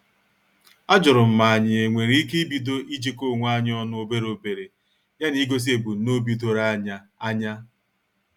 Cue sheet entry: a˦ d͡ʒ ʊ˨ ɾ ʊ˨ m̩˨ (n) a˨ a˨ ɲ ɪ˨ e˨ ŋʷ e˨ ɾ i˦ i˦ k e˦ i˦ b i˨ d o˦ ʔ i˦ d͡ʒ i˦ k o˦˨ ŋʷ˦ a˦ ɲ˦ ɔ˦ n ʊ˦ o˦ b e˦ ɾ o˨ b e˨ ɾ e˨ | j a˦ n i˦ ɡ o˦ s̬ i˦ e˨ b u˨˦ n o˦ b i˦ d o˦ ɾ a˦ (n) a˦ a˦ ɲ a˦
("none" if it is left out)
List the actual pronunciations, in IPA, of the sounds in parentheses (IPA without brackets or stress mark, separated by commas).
m, ɲ